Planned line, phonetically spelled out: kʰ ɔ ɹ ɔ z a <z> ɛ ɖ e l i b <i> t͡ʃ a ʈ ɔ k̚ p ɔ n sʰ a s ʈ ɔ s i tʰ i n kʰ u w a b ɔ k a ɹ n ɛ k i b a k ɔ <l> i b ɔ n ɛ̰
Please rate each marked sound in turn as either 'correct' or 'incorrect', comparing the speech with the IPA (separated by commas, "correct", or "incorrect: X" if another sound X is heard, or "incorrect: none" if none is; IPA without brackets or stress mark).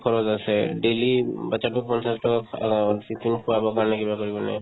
incorrect: s, incorrect: a, incorrect: ɹ